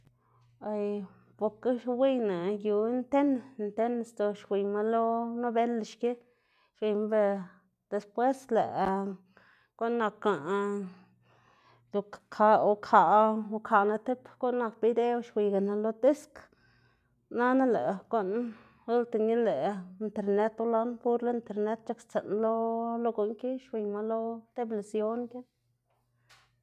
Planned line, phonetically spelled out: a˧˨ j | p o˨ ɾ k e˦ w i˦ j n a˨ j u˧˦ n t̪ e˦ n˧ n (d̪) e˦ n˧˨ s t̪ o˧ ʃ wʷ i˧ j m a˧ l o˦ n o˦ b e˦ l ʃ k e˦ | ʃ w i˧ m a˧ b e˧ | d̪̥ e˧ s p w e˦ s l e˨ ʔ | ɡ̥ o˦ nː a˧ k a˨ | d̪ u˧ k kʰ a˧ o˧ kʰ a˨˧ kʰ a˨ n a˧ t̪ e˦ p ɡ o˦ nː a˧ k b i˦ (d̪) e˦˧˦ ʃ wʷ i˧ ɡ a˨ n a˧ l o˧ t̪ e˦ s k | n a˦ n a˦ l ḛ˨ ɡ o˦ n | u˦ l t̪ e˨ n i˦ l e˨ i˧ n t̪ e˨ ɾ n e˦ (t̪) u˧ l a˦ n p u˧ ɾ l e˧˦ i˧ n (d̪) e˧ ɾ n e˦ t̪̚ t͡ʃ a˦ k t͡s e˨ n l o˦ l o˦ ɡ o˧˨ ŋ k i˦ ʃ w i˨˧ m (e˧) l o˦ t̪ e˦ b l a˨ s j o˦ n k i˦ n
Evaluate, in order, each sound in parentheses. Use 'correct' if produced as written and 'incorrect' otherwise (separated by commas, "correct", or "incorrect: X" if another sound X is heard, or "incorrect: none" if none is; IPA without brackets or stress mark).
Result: incorrect: t̪, correct, correct, incorrect: t̪, incorrect: a˧